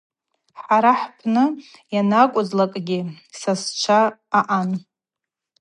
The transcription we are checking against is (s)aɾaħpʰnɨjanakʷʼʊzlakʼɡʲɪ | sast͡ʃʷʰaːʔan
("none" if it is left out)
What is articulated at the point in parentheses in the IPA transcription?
ħ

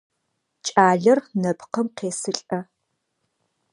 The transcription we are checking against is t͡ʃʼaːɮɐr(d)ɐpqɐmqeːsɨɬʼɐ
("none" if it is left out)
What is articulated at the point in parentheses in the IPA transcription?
n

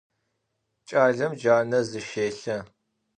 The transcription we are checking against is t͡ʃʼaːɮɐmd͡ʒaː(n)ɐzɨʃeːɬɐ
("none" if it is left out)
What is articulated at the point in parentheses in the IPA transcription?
n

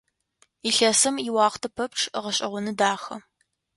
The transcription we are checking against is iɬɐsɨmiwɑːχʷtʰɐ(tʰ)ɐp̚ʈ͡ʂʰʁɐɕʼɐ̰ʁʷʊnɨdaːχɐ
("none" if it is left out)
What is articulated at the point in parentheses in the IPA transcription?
pʰ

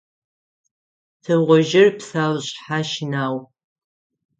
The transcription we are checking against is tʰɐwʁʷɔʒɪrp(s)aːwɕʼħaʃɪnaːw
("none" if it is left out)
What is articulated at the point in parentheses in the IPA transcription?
s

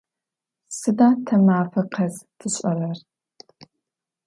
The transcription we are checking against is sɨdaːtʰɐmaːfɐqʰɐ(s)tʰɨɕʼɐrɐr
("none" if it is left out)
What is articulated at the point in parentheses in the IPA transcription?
z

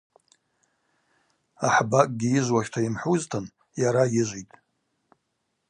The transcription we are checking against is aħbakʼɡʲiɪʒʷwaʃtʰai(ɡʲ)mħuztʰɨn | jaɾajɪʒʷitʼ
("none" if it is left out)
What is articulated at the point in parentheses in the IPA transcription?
none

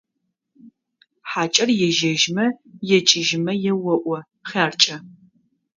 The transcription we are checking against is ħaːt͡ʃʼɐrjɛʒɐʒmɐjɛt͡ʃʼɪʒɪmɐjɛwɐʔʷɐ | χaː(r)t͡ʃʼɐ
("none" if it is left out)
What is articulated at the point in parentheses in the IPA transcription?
r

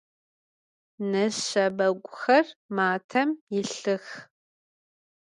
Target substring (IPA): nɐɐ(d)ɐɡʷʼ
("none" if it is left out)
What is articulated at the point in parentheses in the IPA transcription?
b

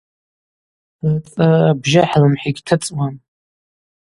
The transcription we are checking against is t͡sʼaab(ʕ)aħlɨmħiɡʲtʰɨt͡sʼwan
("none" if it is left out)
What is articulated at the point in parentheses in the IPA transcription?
ʒ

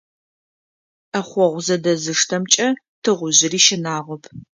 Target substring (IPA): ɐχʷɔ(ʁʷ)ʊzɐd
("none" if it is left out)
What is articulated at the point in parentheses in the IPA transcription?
ʁʷ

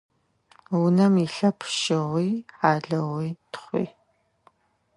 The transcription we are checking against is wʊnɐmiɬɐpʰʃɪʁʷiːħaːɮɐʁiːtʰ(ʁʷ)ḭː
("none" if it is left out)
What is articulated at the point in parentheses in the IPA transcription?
χʷ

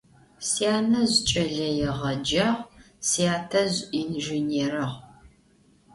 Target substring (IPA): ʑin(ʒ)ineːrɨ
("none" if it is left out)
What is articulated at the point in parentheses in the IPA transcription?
ʒ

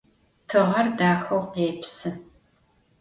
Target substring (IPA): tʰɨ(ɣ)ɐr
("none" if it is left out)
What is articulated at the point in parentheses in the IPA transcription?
ʁ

